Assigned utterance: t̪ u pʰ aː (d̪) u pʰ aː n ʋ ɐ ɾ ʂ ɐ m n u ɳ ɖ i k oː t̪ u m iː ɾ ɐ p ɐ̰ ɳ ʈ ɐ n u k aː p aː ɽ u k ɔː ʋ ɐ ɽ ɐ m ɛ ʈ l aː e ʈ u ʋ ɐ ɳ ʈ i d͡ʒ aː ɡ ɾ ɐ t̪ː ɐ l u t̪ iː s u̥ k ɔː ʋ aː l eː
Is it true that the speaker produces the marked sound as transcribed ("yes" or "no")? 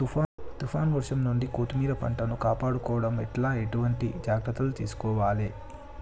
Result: no